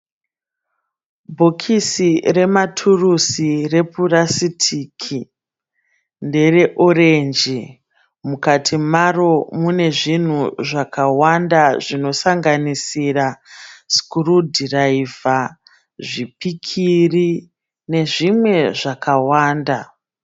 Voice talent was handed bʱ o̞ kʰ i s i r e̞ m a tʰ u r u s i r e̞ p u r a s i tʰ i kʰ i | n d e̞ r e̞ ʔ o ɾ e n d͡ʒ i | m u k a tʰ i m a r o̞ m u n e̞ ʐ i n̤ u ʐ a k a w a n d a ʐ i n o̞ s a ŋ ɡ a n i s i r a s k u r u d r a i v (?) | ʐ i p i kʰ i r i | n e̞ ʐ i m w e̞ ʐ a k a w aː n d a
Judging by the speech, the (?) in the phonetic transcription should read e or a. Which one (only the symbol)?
a